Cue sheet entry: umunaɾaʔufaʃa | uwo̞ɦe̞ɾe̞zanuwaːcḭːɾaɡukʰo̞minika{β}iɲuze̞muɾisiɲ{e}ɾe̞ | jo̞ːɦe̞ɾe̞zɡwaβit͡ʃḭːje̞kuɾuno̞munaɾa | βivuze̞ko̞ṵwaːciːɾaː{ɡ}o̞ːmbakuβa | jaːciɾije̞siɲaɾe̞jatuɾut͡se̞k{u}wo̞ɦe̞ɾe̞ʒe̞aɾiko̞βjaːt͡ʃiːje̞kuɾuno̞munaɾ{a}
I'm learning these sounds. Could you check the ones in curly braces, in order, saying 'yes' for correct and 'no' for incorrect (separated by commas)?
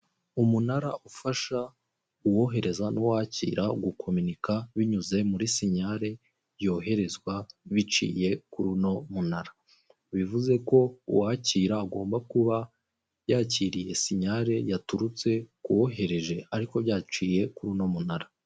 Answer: yes, no, yes, yes, yes